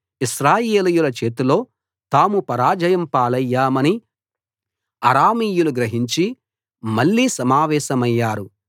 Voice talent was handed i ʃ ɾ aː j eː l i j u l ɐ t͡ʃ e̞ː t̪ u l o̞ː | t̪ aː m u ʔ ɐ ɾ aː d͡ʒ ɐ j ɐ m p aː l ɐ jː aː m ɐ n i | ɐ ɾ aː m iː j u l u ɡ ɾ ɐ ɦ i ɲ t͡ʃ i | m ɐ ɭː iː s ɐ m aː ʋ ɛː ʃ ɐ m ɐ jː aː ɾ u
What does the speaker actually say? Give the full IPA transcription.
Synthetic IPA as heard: i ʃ ɾ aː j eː l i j u l ɐ t͡ʃ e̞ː t̪ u l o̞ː | t̪ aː m u p ɐ ɾ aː d͡ʒ ɐ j ɐ m p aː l ɐ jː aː m ɐ n i | ɐ ɾ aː m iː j u l u ɡ ɾ ɐ ɦ i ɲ t͡ʃ i | m ɐ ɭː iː s ɐ m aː ʋ ɛː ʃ ɐ m ɐ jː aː ɾ u